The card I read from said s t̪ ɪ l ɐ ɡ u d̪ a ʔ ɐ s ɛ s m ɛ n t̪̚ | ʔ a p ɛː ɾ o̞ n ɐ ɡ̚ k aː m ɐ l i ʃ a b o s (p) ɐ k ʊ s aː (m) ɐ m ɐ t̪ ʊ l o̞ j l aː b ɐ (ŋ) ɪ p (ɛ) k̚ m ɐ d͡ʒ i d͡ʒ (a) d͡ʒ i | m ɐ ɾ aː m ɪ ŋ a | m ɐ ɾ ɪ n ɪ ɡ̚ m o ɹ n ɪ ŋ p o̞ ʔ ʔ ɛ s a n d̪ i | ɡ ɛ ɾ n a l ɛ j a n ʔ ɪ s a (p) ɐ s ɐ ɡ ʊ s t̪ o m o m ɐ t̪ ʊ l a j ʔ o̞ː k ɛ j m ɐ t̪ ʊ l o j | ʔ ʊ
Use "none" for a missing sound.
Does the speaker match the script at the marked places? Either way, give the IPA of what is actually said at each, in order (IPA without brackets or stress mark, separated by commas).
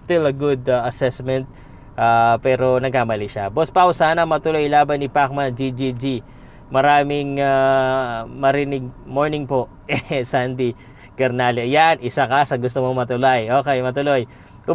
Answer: p, n, n, a, i, k